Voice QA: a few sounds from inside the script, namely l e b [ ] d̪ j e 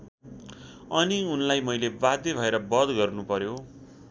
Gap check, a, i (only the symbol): a